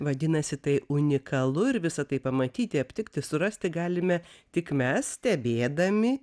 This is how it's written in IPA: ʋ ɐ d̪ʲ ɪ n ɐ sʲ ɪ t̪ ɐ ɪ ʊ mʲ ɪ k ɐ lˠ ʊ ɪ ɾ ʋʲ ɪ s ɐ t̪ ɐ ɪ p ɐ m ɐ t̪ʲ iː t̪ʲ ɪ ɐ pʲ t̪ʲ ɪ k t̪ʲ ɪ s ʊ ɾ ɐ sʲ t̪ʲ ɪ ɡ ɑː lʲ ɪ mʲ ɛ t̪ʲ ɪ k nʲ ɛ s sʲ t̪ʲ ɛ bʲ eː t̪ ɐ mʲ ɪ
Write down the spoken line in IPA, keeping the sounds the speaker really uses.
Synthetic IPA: ʋ ɐ d̪ʲ ɪ n ɐ sʲ ɪ t̪ ɐ ɪ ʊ nʲ ɪ k ɐ lˠ ʊ ɪ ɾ ʋʲ ɪ s ɐ t̪ ɐ ɪ p ɐ m ɐ t̪ʲ iː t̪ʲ ɪ ɐ pʲ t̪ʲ ɪ k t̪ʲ ɪ s ʊ ɾ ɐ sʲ t̪ʲ ɪ ɡ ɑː lʲ ɪ mʲ ɛ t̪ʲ ɪ k mʲ ɛ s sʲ t̪ʲ ɛ bʲ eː d̪ ɐ mʲ ɪ

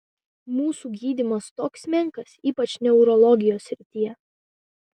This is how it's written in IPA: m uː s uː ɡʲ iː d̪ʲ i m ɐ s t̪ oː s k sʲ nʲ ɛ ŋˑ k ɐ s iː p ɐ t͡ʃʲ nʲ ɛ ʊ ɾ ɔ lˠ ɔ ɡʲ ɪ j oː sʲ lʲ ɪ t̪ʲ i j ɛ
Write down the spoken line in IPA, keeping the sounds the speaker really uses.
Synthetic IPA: m uː s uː ɡʲ iː d̪ʲ i m ɐ s t̪ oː k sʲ mʲ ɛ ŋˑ k ɐ s iː p ɐ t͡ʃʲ nʲ ɛ ʊ ɾ ɔ lˠ ɔ ɡʲ ɪ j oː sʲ ɾʲ ɪ t̪ʲ i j ɛ

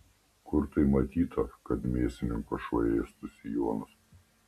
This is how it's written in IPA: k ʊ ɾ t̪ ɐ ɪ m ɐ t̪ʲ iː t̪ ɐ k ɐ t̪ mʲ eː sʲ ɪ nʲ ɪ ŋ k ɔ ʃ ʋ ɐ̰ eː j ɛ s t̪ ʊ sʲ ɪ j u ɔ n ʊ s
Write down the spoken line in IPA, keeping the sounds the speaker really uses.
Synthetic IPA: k ʊ ɾ t̪ ɐ ɪ m ɐ t̪ʲ iː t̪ ɐ k ɐ t̪ mʲ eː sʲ ɪ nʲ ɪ ŋ k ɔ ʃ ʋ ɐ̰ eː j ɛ s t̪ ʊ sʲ ɪ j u ɔ n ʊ s

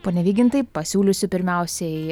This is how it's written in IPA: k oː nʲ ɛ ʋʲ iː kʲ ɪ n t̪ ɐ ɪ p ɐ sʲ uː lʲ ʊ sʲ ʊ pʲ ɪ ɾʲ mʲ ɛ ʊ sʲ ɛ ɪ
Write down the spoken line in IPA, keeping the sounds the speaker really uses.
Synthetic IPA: p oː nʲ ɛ ʋʲ iː ɡʲ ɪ n t̪ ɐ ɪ p ɐ sʲ uː lʲ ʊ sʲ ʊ pʲ ɪ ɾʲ mʲ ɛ ʊ sʲ ɛ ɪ

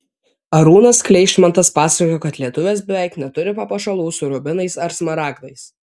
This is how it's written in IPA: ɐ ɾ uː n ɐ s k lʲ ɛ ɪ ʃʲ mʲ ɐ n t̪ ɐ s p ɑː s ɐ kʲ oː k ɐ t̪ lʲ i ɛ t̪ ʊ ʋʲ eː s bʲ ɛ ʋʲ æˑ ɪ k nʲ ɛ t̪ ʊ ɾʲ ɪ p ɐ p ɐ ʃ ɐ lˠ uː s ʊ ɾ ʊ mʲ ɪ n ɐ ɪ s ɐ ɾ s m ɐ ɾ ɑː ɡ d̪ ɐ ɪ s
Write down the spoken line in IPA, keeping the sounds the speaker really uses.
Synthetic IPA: ɐ ɾ uː n ɐ s k lʲ ɛ ɪ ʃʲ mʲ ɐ n t̪ ɐ s p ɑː s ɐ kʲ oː k ɐ t̪ lʲ i ɛ t̪ ʊ ʋʲ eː s bʲ ɛ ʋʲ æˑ ɪ k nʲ ɛ t̪ ʊ ɾʲ ɪ p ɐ p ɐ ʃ ɐ lˠ uː s ʊ ɾ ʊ bʲ ɪ n ɐ ɪ s ɐ ɾ s m ɐ ɾ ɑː ɡ d̪ ɐ ɪ s

